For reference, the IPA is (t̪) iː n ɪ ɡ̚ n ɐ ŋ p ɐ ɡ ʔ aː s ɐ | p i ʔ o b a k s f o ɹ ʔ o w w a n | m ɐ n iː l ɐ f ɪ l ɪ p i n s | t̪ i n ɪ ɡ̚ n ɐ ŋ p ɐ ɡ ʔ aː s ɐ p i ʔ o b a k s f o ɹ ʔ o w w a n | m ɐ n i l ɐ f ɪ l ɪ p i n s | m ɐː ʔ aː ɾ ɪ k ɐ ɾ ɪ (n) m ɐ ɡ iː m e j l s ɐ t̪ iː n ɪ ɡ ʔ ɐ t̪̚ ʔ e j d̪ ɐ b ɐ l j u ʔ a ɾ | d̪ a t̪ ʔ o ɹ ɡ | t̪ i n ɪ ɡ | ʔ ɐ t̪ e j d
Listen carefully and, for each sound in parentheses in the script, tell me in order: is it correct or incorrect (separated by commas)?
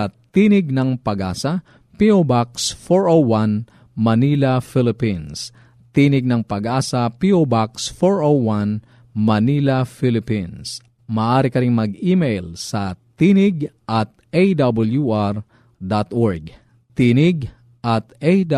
correct, incorrect